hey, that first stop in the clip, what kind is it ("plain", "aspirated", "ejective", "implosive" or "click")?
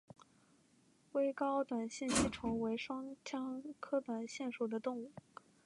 plain